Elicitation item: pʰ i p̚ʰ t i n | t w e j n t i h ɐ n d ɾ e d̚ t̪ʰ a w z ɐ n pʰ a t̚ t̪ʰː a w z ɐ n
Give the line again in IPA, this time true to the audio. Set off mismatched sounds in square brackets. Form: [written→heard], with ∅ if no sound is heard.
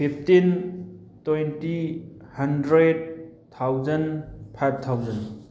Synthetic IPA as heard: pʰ i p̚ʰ t i n | t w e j n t i h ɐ n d ɾ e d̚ t̪ʰ a w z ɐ n pʰ a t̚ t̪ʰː a w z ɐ n